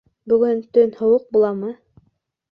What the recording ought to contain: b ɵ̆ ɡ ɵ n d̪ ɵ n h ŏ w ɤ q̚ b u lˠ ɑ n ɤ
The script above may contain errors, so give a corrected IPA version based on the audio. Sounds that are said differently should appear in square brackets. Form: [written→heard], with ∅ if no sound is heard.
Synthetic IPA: b ɵ̆ ɡ ɵ n [d̪→t̪] ɵ n h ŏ w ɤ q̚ b u lˠ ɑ [n→m] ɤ